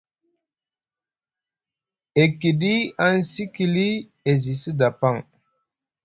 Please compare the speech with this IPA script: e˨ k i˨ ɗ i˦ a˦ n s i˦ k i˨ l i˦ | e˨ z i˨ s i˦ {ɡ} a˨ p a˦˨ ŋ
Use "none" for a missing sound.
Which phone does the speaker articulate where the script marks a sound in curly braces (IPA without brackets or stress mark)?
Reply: d